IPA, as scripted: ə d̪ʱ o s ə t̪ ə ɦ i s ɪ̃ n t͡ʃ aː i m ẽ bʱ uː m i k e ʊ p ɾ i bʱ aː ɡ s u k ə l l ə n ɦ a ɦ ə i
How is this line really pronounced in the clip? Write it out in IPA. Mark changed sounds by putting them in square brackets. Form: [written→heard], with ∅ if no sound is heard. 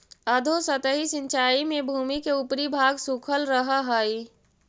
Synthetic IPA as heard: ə d̪ʱ o s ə t̪ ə ɦ i s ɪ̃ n t͡ʃ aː i m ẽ bʱ uː m i k e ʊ p ɾ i bʱ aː ɡ s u [k→kʰ] ə l [l→ɾ] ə [n→∅] ɦ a ɦ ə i